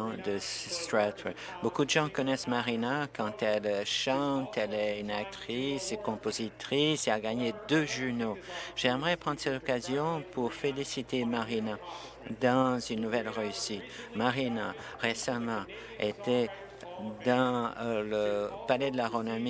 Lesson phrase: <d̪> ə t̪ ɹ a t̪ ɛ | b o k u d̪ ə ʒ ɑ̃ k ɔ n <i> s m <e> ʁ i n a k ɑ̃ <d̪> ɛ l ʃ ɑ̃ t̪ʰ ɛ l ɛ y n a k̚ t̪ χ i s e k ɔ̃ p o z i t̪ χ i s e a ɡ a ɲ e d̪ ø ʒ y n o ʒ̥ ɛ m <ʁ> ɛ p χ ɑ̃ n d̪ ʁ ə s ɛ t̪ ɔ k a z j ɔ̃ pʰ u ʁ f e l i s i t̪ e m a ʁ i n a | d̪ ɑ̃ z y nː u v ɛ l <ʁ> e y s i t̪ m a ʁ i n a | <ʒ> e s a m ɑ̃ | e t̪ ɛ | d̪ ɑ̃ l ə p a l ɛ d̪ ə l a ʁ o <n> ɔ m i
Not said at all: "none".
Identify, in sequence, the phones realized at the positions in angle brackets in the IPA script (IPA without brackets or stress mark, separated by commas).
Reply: d̪, ɛ, a, t̪, ʁ, ʁ, ʁ, n